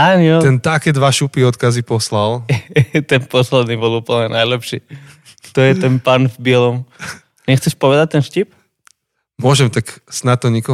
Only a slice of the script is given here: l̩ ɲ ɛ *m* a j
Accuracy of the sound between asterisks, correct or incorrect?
incorrect